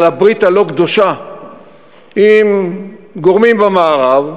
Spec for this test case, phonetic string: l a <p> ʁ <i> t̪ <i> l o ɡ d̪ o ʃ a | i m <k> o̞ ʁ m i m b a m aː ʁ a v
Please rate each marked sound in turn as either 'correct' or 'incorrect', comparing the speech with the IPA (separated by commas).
incorrect, correct, incorrect, incorrect